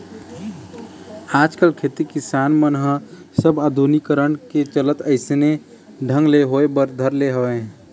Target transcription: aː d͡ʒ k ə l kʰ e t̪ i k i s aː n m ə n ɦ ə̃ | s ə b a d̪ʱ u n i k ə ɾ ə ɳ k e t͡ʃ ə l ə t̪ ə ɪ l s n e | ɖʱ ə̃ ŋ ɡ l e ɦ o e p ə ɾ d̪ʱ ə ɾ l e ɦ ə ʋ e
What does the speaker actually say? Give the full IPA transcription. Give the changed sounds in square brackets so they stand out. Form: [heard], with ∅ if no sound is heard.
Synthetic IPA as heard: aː d͡ʒ k ə l kʰ e t̪ i k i s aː n m ə n ɦ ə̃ | s ə b a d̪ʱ u n i k ə ɾ ə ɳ k e t͡ʃ ə l ə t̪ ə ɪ [∅] s n e | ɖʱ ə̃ ŋ ɡ l e ɦ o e [b] ə ɾ d̪ʱ ə ɾ l e ɦ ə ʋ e